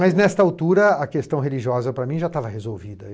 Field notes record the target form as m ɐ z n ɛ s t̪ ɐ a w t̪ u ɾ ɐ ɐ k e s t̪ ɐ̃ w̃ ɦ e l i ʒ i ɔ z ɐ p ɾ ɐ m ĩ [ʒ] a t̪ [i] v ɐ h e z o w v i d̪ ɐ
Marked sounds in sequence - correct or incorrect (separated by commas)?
correct, incorrect